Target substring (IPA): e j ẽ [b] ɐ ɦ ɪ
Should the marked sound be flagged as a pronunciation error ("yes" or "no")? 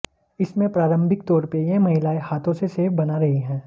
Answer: yes